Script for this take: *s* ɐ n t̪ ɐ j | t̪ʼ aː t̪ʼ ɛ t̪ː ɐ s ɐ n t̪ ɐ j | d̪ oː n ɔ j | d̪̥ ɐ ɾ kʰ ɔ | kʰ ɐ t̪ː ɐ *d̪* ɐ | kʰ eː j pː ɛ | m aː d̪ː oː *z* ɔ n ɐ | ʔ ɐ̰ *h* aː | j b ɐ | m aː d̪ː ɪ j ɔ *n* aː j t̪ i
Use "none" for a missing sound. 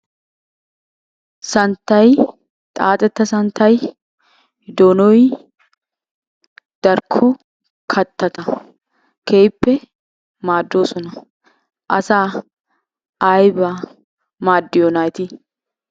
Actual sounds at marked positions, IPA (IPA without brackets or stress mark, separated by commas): s, t̪, s, s, n